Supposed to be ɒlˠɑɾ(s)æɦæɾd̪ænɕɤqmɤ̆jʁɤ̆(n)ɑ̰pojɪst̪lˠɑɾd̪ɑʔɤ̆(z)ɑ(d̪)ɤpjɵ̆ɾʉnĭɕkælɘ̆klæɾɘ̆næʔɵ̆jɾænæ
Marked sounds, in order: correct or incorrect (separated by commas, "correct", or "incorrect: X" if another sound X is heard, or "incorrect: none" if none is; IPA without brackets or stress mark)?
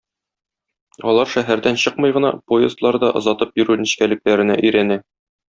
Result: incorrect: ʃ, correct, correct, incorrect: t̪